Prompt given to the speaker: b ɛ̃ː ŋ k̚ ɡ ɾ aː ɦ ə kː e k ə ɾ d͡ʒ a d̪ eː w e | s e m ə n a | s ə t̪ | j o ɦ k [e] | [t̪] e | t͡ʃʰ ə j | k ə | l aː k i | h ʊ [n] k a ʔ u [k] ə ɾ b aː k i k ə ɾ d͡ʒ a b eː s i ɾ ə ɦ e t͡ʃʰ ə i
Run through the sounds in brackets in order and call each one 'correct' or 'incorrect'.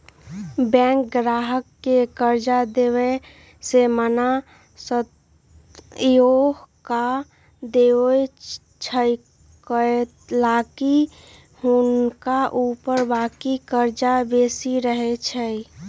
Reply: incorrect: a, incorrect: d̪, correct, incorrect: p

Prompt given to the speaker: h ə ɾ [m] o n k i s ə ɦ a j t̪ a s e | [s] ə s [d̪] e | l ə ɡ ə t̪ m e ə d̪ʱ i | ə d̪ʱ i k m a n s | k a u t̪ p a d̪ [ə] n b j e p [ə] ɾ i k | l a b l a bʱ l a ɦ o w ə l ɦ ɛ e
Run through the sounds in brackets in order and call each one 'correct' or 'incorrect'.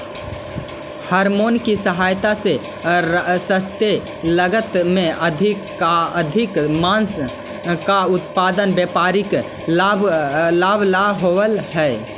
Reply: correct, correct, incorrect: t̪, correct, incorrect: a

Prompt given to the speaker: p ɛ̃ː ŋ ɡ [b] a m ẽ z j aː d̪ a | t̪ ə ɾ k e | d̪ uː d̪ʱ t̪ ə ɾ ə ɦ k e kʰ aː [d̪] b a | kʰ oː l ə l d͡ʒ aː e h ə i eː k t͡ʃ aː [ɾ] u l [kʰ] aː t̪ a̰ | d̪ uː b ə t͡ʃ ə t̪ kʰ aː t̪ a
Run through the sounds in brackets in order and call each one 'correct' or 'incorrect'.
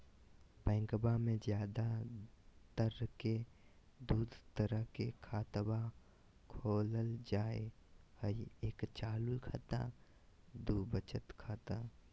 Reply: correct, incorrect: t̪, incorrect: l, correct

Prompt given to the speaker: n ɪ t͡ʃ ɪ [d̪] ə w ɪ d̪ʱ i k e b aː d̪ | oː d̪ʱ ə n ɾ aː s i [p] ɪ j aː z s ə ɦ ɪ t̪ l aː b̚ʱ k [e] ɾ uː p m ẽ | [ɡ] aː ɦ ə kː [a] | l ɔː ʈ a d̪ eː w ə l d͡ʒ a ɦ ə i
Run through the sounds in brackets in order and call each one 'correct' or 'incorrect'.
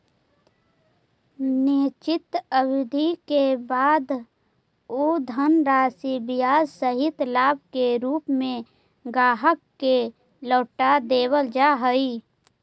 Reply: incorrect: t̪, incorrect: b, correct, correct, incorrect: e

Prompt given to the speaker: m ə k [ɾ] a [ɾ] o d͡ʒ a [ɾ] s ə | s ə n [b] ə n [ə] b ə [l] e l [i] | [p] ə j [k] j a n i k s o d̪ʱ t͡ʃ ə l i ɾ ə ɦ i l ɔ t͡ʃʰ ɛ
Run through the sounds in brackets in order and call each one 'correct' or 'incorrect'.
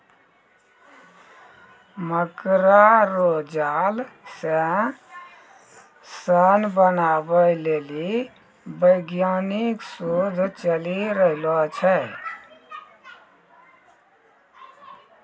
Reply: correct, correct, incorrect: l, correct, incorrect: a, correct, correct, incorrect: b, incorrect: ɡ

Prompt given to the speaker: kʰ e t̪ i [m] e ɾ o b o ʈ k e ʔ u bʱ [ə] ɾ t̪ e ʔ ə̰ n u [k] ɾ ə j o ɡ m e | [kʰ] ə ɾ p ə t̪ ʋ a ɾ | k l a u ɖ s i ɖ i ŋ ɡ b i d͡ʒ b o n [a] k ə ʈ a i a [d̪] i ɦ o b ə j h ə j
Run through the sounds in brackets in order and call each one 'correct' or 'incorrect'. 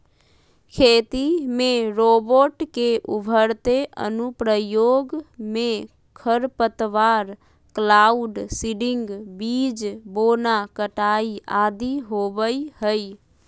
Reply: correct, correct, incorrect: p, correct, correct, correct

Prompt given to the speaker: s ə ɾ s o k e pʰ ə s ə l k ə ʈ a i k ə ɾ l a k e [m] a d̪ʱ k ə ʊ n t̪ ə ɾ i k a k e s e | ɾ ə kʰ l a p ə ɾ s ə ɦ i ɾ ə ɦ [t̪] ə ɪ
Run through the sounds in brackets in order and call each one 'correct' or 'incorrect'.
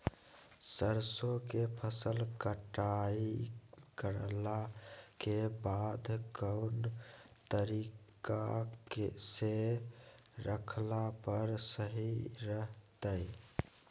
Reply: incorrect: b, correct

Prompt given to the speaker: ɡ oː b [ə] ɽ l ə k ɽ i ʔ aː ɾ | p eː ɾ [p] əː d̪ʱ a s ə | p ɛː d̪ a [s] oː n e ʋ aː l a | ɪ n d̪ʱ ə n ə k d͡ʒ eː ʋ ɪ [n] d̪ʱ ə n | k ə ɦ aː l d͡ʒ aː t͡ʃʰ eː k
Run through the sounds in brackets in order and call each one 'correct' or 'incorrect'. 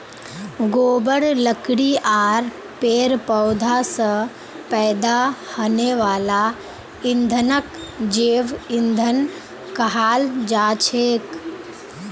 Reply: correct, correct, incorrect: h, correct

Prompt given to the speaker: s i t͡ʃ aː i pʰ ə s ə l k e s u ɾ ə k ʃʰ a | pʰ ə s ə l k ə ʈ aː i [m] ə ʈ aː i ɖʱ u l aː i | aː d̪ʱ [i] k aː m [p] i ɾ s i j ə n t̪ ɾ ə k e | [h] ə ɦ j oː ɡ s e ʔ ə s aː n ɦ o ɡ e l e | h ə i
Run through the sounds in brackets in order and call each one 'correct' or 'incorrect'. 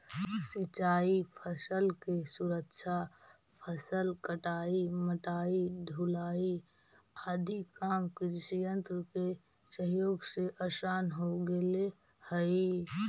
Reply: correct, correct, incorrect: k, incorrect: s

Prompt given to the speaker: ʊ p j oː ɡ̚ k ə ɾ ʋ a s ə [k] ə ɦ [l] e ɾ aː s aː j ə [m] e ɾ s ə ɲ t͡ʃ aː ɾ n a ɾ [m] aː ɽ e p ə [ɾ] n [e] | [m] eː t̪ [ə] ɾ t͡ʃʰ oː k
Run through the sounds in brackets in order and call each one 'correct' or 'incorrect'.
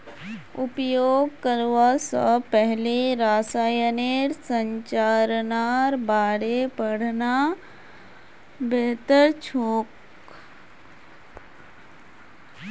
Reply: incorrect: p, correct, incorrect: n, incorrect: b, incorrect: ɽ, incorrect: a, incorrect: b, correct

